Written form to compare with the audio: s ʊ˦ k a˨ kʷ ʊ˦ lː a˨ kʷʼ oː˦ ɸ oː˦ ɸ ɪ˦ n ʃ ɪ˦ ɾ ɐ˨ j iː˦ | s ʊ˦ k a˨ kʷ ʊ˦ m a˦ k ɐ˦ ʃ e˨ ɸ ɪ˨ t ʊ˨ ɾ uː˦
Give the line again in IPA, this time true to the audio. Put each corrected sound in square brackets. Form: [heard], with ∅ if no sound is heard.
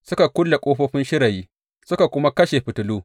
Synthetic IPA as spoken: s ʊ˦ k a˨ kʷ ʊ˦ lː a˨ kʷʼ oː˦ ɸ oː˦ ɸ ɪ˦ n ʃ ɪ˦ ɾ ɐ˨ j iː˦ | s ʊ˦ k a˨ kʷ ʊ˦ m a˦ k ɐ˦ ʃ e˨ ɸ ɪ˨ t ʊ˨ [l] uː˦